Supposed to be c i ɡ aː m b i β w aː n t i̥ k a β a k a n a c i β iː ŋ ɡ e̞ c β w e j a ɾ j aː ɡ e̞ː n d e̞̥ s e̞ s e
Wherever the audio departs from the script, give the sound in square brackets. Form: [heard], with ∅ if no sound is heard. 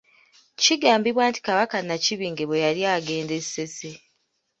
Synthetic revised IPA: c i ɡ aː m b i β w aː n t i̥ k a β a k a n a c i β iː ŋ ɡ e̞ [∅] β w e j a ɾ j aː ɡ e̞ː n d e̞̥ s e̞ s e